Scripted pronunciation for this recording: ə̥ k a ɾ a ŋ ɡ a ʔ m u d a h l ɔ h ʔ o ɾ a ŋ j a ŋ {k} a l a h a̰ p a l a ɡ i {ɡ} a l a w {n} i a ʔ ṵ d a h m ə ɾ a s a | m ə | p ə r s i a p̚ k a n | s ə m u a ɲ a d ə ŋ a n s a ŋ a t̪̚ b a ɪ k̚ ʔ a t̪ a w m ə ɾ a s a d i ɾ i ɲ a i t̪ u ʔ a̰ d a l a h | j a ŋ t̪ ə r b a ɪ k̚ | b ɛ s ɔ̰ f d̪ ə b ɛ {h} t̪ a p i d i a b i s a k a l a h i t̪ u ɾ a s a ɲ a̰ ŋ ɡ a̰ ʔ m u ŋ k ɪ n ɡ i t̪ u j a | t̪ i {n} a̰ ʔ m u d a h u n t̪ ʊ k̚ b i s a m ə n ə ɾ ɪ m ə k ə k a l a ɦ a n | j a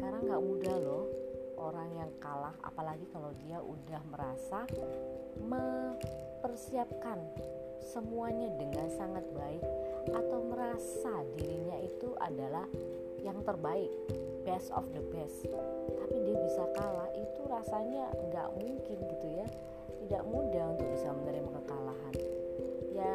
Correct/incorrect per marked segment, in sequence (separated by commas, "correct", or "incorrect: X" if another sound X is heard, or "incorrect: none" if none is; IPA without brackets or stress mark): correct, incorrect: k, incorrect: d, incorrect: s, incorrect: d